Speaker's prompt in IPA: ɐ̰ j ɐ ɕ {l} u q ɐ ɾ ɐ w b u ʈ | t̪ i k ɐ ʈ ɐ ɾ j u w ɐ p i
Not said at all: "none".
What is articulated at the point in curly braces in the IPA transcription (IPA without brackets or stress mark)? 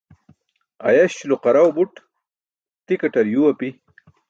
l